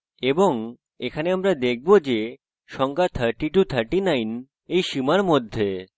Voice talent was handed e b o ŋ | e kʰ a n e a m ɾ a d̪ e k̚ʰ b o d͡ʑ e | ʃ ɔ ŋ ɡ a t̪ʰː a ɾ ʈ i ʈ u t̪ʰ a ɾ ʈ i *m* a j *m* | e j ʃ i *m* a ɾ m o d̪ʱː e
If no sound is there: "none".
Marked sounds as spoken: n, n, m

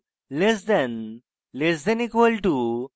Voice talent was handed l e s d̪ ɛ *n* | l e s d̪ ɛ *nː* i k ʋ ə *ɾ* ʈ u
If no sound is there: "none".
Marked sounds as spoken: n, n, l

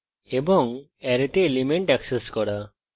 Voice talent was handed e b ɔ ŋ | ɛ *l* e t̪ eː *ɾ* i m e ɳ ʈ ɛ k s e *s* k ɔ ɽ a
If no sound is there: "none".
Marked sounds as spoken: ɾ, l, s

